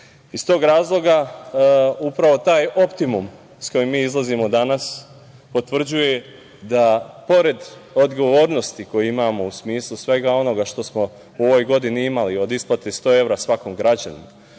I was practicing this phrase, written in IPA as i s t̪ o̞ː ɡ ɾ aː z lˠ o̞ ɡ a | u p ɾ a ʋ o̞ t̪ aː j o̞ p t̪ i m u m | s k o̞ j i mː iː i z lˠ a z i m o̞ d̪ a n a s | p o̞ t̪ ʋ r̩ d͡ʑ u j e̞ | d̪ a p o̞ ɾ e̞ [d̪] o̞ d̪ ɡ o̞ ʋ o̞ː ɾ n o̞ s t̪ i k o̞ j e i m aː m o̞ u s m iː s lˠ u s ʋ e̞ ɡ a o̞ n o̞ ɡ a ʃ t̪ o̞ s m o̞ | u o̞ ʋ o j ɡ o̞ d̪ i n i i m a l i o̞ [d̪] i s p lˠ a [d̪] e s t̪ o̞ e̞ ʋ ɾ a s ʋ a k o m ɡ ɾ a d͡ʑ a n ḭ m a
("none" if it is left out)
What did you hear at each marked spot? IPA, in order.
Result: d̪, d̪, t̪

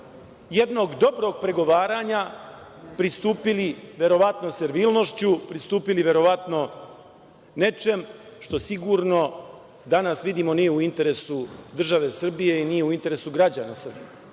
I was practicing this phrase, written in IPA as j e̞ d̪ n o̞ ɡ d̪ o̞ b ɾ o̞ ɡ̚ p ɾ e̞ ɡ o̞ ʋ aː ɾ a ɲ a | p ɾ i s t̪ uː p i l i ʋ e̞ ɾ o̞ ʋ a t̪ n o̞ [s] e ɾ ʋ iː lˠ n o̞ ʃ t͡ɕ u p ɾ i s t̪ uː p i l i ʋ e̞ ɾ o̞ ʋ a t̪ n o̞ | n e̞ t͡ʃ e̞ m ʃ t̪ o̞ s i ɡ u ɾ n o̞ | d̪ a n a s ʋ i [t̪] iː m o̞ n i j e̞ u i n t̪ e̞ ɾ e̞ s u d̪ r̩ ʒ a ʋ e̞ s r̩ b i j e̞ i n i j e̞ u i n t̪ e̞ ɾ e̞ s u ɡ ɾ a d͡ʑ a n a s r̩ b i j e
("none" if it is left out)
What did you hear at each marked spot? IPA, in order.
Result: s, d̪

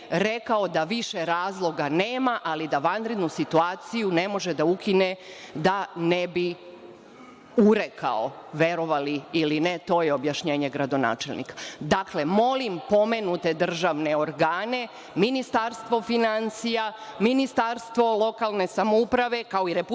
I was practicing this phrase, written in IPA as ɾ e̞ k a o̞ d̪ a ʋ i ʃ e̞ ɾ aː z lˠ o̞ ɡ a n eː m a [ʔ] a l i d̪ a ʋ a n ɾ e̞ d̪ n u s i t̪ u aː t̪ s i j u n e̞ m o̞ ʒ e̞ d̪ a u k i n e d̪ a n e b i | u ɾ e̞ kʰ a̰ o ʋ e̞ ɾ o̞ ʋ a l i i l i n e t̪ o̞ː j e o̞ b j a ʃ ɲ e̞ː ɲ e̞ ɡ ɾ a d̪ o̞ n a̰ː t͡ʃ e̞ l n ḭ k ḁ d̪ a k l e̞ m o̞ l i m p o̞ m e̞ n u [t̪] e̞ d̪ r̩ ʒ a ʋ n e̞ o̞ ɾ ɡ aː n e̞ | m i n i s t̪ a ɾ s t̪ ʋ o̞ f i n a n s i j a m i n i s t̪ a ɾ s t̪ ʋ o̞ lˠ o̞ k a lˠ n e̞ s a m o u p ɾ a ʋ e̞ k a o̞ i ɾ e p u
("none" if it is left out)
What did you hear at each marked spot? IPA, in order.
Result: ʔ, t̪

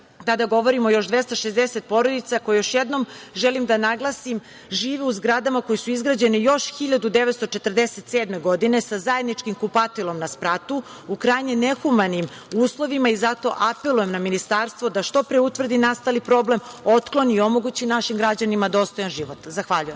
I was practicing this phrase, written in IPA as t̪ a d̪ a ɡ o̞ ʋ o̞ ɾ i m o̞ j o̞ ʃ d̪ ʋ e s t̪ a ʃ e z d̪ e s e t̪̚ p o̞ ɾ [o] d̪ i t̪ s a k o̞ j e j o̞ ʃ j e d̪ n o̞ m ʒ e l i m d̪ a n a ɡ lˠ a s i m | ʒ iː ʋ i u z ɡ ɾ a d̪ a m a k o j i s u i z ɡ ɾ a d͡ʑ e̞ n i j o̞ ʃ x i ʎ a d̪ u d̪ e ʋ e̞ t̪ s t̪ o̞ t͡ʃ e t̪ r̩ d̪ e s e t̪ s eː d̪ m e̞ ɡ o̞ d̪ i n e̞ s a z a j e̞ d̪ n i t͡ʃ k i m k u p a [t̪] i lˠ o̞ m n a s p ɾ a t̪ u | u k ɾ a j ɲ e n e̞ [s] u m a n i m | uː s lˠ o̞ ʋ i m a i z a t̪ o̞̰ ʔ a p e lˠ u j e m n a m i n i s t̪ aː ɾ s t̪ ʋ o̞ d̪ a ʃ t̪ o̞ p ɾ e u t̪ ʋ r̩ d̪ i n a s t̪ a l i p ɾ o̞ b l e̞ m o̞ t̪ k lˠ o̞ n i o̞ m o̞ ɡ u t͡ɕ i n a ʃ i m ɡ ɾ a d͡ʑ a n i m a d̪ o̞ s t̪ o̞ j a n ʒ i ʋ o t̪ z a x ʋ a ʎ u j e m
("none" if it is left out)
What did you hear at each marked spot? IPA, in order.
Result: o, t̪, x

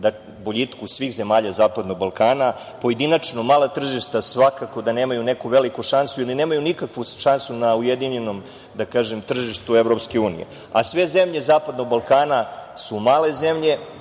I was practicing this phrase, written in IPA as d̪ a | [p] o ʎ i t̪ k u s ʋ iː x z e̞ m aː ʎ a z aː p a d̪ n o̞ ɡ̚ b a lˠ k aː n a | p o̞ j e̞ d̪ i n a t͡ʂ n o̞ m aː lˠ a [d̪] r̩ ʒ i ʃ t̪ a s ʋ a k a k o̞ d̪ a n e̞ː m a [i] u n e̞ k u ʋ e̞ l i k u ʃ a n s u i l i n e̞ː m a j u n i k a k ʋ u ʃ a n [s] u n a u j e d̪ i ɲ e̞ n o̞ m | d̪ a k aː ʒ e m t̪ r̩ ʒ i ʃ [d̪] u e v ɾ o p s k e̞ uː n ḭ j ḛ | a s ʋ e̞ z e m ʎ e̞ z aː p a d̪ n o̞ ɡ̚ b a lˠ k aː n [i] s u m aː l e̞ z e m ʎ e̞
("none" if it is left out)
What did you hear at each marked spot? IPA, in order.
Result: b, t̪, j, s, t̪, a

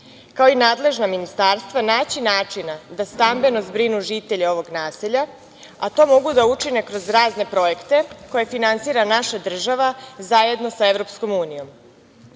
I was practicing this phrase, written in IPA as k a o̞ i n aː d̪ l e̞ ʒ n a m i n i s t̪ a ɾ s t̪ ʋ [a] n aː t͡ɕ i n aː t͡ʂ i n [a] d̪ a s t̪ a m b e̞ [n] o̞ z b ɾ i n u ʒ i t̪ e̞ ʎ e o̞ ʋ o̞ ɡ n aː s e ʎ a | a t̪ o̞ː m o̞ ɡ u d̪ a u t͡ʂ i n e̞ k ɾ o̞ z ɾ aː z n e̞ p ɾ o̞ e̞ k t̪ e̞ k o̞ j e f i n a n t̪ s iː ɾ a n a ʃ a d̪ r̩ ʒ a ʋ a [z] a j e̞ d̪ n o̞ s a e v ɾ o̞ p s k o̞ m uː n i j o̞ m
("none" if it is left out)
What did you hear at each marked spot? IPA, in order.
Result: a, a, n, z

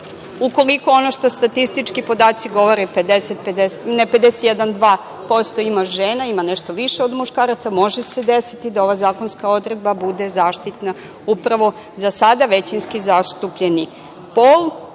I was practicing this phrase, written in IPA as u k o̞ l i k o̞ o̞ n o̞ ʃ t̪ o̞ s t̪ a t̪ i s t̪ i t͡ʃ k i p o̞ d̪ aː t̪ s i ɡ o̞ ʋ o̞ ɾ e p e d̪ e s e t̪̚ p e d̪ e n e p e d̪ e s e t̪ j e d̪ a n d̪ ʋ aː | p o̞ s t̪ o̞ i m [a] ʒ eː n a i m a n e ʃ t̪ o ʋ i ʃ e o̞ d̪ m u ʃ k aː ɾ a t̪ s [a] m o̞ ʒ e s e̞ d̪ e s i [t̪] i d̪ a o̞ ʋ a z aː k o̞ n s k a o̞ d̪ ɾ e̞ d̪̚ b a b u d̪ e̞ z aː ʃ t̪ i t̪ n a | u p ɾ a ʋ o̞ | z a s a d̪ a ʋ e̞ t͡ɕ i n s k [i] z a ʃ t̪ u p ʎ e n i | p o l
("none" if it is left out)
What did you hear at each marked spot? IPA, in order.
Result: a, a, t̪, i

